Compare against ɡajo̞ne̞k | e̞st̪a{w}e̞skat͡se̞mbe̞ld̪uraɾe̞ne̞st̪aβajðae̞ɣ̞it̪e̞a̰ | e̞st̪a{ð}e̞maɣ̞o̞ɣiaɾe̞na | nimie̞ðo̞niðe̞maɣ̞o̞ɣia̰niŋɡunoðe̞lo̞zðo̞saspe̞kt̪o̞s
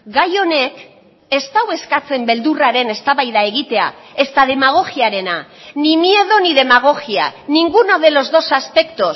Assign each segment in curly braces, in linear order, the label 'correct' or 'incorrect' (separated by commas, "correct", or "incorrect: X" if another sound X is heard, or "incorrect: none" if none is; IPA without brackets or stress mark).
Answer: correct, correct